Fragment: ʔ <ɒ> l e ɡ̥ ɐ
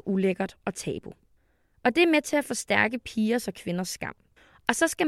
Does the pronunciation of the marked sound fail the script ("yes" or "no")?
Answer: yes